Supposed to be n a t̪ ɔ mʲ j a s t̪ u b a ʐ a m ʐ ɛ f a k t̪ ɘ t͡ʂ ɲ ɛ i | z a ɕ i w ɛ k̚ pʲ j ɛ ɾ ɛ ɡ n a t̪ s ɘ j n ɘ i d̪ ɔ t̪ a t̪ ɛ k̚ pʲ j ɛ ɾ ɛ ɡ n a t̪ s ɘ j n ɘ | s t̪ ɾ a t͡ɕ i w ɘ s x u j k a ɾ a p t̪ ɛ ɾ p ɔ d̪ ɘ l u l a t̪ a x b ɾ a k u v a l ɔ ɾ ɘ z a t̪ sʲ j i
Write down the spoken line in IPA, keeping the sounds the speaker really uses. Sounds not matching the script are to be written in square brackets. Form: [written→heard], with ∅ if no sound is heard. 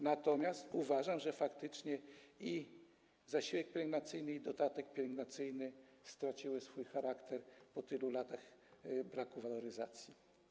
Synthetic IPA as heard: n a t̪ ɔ mʲ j a s t̪ u [b→v] a ʐ a m ʐ ɛ f a k t̪ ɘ t͡ʂ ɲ ɛ i | z a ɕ i w ɛ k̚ pʲ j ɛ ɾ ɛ ɡ n a t̪ s ɘ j n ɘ i d̪ ɔ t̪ a t̪ ɛ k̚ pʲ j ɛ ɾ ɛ ɡ n a t̪ s ɘ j n ɘ | s t̪ ɾ a t͡ɕ i w ɘ s [x→f] u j [k→x] a ɾ a [p→k] t̪ ɛ ɾ p ɔ [d̪→t̪] ɘ l u l a t̪ a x b ɾ a k u v a l ɔ ɾ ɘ z a t̪ sʲ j i

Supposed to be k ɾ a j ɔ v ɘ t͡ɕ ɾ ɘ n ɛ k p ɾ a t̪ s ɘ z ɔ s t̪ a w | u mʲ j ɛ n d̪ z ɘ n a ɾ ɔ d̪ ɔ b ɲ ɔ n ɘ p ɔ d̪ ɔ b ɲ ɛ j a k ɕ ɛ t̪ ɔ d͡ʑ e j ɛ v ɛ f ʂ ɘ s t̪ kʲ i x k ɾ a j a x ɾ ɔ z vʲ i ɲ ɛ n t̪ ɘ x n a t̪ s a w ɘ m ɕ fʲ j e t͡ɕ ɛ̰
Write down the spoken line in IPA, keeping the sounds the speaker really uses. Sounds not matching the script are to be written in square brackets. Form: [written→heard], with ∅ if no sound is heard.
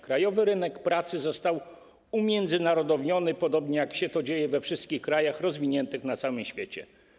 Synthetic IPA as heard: k ɾ a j ɔ v ɘ [t͡ɕ→∅] ɾ ɘ n ɛ k p ɾ a t̪ s ɘ z ɔ s t̪ a w | u mʲ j ɛ n d̪ z ɘ n a ɾ ɔ d̪ ɔ [b→v] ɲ ɔ n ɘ p ɔ d̪ ɔ b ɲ ɛ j a k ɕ ɛ t̪ ɔ d͡ʑ e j ɛ v ɛ f ʂ ɘ s t̪ kʲ i x k ɾ a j a x ɾ ɔ z vʲ i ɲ ɛ n t̪ ɘ x n a t̪ s a w ɘ m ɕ fʲ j e t͡ɕ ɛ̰

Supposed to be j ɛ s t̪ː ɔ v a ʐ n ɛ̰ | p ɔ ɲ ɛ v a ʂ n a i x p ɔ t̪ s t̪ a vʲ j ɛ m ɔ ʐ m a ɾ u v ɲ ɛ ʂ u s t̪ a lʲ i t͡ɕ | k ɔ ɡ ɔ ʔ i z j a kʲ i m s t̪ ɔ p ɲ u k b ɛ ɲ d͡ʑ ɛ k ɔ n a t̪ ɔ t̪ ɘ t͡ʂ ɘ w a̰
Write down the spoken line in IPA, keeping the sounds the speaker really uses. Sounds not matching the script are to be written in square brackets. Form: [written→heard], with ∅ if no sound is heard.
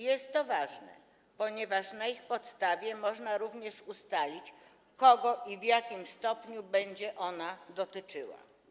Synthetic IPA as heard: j ɛ s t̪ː ɔ v a ʐ n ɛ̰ | p ɔ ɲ ɛ v a ʂ n a i x p ɔ t̪ s t̪ a vʲ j ɛ m ɔ ʐ [m→n] a ɾ u v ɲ ɛ ʂ u s t̪ a lʲ i t͡ɕ | k ɔ ɡ ɔ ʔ i [z→v] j a kʲ i m s t̪ ɔ p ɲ u [k→∅] b ɛ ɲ d͡ʑ ɛ [k→ʔ] ɔ n a [t̪→d̪] ɔ t̪ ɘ t͡ʂ ɘ w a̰

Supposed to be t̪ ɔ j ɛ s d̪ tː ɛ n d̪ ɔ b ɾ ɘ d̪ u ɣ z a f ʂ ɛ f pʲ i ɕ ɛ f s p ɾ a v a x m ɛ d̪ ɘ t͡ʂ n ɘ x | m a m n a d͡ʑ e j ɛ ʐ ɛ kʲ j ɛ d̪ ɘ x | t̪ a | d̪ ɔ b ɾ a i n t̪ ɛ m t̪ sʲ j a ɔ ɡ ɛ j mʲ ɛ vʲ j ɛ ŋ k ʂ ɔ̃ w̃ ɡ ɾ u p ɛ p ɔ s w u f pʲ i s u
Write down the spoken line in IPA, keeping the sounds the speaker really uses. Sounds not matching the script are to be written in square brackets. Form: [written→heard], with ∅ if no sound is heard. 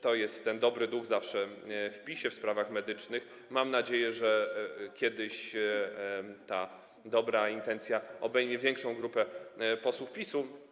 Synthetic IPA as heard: t̪ ɔ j ɛ s [d̪→t̪] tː ɛ n d̪ ɔ b ɾ ɘ d̪ u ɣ z a f ʂ ɛ f pʲ i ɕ ɛ f s p ɾ a v a x m ɛ d̪ ɘ t͡ʂ n ɘ x | m a m n a d͡ʑ e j ɛ ʐ ɛ kʲ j ɛ d̪ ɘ [x→ɕ] | t̪ a | d̪ ɔ b ɾ a i n t̪ ɛ [m→n] t̪ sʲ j a ɔ [ɡ→b] ɛ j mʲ ɛ vʲ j ɛ ŋ k ʂ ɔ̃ w̃ ɡ ɾ u p ɛ p ɔ s w u f pʲ i s u

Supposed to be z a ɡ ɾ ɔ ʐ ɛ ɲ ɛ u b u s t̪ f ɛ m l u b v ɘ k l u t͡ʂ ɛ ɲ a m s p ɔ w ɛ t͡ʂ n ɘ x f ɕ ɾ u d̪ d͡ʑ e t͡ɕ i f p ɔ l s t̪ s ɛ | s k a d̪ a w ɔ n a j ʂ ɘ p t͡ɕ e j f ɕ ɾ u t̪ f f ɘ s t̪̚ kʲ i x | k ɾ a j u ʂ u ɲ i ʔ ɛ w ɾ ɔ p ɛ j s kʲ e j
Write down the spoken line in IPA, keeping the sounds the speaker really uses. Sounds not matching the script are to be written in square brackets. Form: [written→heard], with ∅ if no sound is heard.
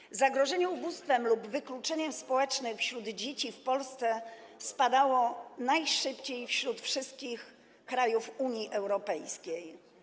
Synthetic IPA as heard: z a ɡ ɾ ɔ ʐ ɛ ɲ ɛ u b u s t̪ f ɛ m l u b v ɘ k l u t͡ʂ ɛ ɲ [a→ɛ] m s p ɔ w ɛ t͡ʂ n ɘ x f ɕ ɾ u d̪ d͡ʑ e t͡ɕ i f p ɔ l s t̪ s ɛ | s [k→p] a d̪ a w ɔ n a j ʂ ɘ p t͡ɕ e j f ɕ ɾ u t̪ f [f→ʂ] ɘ s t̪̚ kʲ i x | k ɾ a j u [ʂ→f] u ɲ i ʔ ɛ w ɾ ɔ p ɛ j s kʲ e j

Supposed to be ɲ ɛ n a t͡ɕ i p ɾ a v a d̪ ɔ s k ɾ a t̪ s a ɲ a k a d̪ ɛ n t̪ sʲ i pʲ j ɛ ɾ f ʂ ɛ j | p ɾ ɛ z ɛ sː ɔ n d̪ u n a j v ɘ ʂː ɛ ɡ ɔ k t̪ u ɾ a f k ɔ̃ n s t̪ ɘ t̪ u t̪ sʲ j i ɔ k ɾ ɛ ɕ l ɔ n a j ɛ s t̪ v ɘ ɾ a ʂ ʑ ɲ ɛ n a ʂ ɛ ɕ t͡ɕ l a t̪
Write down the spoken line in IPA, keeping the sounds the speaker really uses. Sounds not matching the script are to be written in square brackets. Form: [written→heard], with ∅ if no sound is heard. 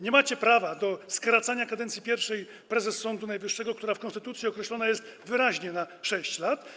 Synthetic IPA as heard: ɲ ɛ [n→m] a t͡ɕ [i→ɛ] p ɾ a v a d̪ ɔ s k ɾ a t̪ s a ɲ a k a d̪ ɛ n t̪ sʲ i pʲ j ɛ ɾ f ʂ ɛ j | p ɾ ɛ z ɛ sː ɔ n d̪ u n a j v ɘ ʂː ɛ ɡ ɔ k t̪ u ɾ a f k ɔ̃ n s t̪ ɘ t̪ u t̪ sʲ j i ɔ k ɾ ɛ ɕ l ɔ n a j ɛ s t̪ v ɘ ɾ a [ʂ→∅] ʑ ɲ ɛ n a ʂ ɛ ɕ t͡ɕ l a t̪

